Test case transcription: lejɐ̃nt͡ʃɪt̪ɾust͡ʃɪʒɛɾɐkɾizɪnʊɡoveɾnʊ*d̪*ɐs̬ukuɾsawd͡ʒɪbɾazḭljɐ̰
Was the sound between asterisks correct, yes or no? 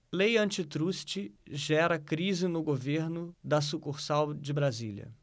yes